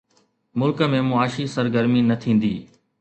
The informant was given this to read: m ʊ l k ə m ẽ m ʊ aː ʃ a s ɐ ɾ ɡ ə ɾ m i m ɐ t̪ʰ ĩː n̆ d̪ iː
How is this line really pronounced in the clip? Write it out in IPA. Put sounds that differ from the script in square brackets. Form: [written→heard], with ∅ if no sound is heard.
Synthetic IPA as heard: m ʊ l k ə m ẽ m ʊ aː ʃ [a→i] s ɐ ɾ ɡ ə ɾ m i [m→n] ɐ t̪ʰ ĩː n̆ d̪ iː

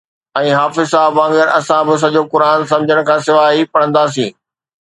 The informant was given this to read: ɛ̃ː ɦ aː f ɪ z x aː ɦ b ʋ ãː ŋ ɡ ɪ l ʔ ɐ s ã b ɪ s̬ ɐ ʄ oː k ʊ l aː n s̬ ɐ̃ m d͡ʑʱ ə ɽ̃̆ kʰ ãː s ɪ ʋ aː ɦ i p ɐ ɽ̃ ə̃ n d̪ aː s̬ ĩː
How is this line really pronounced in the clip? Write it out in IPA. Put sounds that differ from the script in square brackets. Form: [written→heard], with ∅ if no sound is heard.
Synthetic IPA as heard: ɛ̃ː ɦ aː f ɪ z [x→s] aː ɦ b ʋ ãː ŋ ɡ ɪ [l→ɾ] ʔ ɐ s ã b ɪ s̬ ɐ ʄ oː k ʊ [l→ɾ] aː n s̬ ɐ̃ m d͡ʑʱ ə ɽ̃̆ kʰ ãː s ɪ ʋ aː ɦ i p ɐ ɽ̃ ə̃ n d̪ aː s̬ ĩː

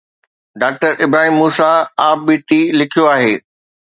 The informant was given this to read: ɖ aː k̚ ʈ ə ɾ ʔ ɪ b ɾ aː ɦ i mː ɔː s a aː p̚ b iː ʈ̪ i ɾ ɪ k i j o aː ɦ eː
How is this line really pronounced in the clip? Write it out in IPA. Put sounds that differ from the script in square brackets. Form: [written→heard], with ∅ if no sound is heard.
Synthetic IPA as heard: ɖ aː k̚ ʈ ə ɾ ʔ ɪ b ɾ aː ɦ i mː [ɔː→uː] s a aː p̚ b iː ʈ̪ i [ɾ→l] ɪ [k→kʰ] i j o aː ɦ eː

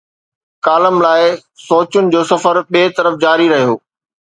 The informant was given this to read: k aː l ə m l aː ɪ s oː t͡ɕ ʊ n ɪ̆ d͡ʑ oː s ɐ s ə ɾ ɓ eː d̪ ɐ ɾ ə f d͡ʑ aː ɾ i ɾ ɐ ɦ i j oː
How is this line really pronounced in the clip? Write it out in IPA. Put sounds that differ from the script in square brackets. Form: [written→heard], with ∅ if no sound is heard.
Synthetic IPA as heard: k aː l ə m l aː ɪ s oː t͡ɕ ʊ n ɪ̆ d͡ʑ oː s ɐ [s→f] ə ɾ ɓ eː [d̪→t̪] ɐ ɾ ə f d͡ʑ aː ɾ i ɾ ɐ ɦ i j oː

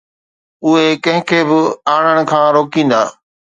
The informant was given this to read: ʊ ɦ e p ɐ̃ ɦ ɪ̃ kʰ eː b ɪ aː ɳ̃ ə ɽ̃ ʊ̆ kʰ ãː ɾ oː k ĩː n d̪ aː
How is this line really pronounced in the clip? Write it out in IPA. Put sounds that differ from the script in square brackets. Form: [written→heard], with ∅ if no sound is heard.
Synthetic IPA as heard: ʊ ɦ e [p→k] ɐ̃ ɦ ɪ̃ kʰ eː b ɪ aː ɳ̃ ə ɽ̃ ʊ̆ kʰ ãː ɾ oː k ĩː n d̪ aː

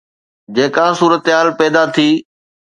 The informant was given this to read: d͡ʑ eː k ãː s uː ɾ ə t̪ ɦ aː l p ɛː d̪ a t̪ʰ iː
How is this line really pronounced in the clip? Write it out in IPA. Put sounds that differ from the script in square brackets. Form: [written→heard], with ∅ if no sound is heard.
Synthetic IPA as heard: d͡ʑ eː k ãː s uː ɾ ə t̪ ɦ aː l p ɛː d̪ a t̪ʰ iː

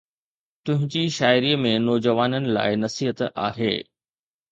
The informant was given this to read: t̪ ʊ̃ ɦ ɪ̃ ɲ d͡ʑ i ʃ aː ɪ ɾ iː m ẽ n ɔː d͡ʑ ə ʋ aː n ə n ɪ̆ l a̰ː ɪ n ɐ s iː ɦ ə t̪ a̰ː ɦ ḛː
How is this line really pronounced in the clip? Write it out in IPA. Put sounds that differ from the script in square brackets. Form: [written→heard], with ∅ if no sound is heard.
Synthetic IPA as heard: t̪ ʊ̃ ɦ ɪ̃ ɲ d͡ʑ i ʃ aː ɪ ɾ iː m ẽ n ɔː d͡ʑ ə ʋ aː n ə n ɪ̆ l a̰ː ɪ n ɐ s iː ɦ ə t̪ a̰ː ɦ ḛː

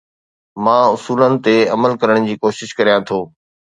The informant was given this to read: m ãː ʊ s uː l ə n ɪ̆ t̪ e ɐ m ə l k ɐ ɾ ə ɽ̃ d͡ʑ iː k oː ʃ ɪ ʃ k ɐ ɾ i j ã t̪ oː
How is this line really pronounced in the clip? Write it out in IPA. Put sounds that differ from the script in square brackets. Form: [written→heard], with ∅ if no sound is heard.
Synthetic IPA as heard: m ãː ʊ s uː l ə n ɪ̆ t̪ e ɐ m ə l k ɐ ɾ ə ɽ̃ d͡ʑ iː k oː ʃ ɪ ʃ k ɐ ɾ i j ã [t̪→t̪ʰ] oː

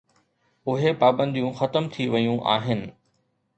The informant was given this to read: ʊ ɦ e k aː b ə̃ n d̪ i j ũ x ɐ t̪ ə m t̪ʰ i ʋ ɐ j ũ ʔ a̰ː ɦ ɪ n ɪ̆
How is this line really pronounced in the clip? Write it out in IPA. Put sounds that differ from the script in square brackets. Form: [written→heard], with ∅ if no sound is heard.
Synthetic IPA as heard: ʊ ɦ e [k→p] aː b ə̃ n d̪ i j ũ x ɐ t̪ ə m t̪ʰ i ʋ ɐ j ũ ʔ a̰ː ɦ ɪ n ɪ̆

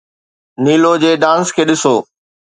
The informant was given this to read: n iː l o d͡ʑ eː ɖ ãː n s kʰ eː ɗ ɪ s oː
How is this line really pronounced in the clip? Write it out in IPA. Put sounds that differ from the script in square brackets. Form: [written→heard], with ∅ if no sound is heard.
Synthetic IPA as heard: n iː l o d͡ʑ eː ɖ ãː n s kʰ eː ɗ ɪ s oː

